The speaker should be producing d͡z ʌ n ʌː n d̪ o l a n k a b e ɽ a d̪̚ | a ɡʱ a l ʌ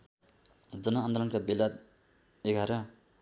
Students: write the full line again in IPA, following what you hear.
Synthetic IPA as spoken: d͡z ʌ n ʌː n d̪ o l ʌ n k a b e l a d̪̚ | e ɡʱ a ɾ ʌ